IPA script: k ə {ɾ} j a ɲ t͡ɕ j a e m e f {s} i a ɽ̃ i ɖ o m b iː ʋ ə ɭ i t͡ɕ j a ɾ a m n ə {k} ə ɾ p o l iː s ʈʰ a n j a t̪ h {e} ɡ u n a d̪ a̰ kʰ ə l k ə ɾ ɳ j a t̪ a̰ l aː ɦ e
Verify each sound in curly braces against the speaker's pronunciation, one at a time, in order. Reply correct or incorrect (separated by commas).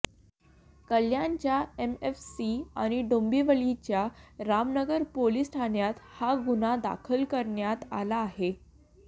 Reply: incorrect, correct, incorrect, incorrect